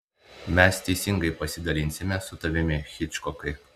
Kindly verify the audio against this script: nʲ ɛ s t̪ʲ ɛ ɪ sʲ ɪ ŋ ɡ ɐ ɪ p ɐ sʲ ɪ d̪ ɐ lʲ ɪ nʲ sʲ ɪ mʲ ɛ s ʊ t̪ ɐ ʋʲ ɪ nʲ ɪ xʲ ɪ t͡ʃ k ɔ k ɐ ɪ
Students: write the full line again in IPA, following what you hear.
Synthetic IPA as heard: mʲ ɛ s t̪ʲ ɛ ɪ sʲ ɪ ŋ ɡ ɐ ɪ p ɐ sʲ ɪ d̪ ɐ lʲ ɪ nʲ sʲ ɪ mʲ ɛ s ʊ t̪ ɐ ʋʲ ɪ mʲ ɪ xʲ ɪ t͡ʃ k ɔ k ɐ ɪ